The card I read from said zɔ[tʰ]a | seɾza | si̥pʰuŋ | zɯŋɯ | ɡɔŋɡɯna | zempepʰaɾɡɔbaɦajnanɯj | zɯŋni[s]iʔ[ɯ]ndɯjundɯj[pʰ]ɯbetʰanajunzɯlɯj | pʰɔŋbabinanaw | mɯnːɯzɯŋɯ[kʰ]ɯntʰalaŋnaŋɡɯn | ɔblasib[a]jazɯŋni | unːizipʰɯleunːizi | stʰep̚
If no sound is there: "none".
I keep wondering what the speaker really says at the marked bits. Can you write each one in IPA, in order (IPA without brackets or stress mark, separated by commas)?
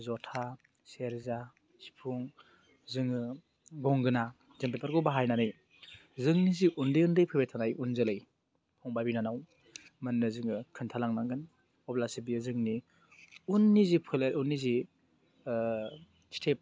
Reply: tʰ, z, u, pʰ, kʰ, i